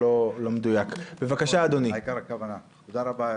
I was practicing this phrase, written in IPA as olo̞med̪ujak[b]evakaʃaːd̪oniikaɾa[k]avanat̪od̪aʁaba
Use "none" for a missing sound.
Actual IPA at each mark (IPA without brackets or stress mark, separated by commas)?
b, k